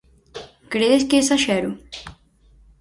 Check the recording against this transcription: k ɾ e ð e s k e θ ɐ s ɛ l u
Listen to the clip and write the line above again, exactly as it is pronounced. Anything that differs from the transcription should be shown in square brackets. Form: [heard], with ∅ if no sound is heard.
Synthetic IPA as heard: k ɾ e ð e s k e [s] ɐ [ʃ] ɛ [ɾ] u